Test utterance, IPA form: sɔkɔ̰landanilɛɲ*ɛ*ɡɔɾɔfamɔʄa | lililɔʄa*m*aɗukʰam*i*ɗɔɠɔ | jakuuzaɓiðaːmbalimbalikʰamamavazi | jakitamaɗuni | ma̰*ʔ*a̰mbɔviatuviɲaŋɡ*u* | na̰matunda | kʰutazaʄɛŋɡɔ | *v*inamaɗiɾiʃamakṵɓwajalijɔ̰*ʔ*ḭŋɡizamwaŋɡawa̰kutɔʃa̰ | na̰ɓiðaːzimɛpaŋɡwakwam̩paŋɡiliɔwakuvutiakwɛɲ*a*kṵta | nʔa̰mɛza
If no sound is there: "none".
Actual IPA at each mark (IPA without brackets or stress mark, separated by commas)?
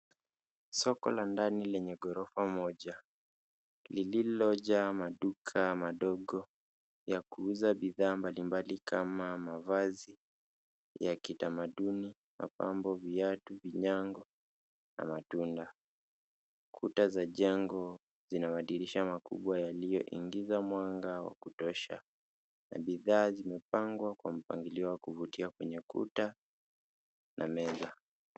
ɛ, m, a, p, ɔ, z, ʔ, ɛ